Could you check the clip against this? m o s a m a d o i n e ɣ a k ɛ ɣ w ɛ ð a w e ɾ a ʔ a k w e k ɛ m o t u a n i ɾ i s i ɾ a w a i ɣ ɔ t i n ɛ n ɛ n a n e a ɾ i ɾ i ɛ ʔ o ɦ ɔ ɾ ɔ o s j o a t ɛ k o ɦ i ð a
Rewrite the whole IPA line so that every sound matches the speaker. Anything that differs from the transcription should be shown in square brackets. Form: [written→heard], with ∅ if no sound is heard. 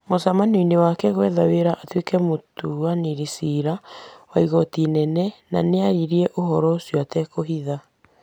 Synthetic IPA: m o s a m a [d→n] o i n e [ɣ→w] a k ɛ ɣ w ɛ ð a w e ɾ a ʔ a [k→t] w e k ɛ m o t u a n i ɾ i s i ɾ a w a i ɣ ɔ t i n ɛ n ɛ n a n e a ɾ i ɾ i ɛ ʔ o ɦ ɔ ɾ ɔ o s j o a t ɛ k o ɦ i ð a